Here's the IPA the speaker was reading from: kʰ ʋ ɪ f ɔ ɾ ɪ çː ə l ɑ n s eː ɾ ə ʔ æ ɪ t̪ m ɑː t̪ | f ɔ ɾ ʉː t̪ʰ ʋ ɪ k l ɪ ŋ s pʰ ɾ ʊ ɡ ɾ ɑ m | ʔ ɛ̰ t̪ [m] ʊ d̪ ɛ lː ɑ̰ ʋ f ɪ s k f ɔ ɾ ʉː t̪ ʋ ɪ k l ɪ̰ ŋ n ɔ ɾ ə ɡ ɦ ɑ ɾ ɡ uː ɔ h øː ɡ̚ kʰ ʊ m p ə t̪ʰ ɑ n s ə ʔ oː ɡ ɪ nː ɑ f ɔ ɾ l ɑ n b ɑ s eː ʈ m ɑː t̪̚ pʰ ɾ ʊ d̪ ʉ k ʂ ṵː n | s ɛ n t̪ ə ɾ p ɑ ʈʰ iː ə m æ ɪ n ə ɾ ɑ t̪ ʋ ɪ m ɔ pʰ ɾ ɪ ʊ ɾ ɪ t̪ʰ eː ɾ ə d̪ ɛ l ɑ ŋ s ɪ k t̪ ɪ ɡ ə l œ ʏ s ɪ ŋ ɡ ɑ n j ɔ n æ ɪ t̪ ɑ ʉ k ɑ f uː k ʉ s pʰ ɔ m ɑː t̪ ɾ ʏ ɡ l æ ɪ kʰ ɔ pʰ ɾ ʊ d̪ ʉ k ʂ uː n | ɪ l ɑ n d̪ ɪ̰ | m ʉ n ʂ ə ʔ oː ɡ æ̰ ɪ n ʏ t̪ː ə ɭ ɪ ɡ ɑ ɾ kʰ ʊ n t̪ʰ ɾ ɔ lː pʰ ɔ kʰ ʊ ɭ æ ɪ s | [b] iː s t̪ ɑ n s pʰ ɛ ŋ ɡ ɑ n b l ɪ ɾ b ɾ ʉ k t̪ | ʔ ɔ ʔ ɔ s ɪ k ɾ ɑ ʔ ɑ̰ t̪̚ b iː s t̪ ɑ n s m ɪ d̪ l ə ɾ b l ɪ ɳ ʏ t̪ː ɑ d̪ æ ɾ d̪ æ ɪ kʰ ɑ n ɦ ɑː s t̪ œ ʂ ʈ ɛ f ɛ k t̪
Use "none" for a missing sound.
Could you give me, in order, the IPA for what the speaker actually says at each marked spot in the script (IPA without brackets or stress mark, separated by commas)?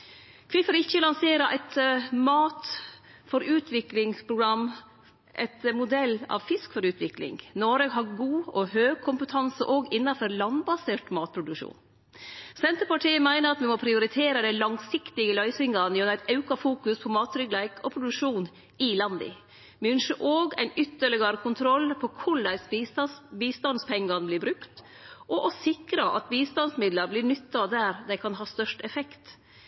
m, b